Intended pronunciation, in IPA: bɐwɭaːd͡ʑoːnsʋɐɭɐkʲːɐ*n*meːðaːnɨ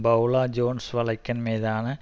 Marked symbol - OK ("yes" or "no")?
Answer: yes